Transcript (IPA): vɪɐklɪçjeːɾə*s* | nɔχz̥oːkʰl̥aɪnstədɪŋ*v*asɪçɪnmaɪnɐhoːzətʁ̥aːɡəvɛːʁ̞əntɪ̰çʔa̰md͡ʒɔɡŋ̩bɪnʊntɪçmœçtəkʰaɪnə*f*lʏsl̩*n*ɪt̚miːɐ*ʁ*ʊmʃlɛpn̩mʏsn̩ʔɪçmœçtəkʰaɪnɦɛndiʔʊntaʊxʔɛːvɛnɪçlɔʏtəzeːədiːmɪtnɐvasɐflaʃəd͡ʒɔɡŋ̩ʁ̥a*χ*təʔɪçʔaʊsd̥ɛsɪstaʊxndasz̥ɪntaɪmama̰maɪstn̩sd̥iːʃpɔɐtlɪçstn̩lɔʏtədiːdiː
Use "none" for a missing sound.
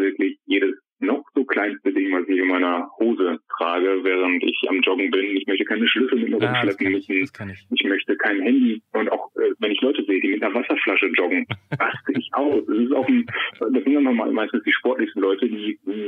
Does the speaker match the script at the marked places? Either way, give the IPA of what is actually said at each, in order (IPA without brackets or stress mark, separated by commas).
s, v, ʃ, m, ʁ, s